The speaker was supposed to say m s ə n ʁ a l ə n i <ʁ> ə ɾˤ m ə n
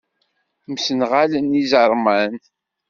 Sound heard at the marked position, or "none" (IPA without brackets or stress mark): z